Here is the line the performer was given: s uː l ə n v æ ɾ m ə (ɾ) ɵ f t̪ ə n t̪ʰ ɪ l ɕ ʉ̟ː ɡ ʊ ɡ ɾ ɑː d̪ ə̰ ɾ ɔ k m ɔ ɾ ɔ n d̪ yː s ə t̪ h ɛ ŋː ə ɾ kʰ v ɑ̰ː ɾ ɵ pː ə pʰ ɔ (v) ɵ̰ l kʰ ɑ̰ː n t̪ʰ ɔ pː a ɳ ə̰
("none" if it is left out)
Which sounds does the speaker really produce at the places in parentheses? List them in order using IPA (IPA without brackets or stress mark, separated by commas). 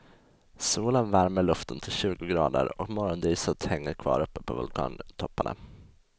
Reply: ɭ, v